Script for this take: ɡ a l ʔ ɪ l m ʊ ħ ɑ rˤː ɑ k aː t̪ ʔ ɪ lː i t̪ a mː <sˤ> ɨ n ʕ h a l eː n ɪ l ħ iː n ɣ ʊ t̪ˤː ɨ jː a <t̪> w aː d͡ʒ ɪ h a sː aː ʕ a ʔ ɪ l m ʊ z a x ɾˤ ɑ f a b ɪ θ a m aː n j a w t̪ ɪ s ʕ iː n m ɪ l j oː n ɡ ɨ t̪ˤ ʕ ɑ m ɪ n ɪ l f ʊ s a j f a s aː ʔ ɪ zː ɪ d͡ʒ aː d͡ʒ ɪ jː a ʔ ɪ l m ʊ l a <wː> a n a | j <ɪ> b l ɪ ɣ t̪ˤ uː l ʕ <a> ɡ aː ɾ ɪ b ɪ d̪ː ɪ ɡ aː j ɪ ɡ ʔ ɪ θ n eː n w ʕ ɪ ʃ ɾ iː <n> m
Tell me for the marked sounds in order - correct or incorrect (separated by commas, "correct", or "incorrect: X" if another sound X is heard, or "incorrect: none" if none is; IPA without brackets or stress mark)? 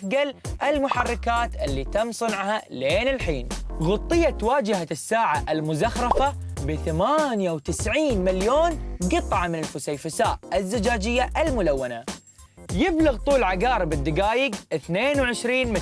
correct, correct, correct, correct, correct, correct